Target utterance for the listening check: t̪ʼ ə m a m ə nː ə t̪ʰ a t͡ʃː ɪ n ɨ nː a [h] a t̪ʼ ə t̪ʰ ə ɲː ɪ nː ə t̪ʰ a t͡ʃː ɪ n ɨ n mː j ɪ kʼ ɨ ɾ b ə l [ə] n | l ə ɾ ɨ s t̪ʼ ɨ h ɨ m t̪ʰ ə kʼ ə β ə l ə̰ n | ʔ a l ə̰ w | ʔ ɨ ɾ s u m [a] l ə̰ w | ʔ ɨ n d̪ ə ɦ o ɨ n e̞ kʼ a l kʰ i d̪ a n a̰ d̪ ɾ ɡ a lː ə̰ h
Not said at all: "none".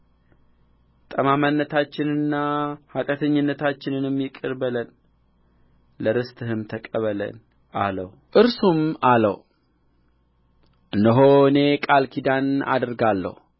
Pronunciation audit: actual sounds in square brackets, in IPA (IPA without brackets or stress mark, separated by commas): h, ə, a